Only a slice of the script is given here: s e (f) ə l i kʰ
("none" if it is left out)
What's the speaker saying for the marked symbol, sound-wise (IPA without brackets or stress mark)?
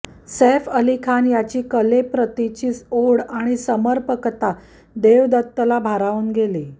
f